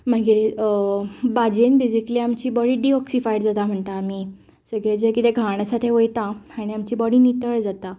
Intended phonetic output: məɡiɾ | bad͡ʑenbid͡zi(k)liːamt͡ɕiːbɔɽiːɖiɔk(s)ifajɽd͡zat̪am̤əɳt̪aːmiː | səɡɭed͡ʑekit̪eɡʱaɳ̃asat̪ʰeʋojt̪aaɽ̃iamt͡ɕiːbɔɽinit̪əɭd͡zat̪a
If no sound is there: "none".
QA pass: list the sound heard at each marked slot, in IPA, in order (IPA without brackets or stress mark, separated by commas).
k, s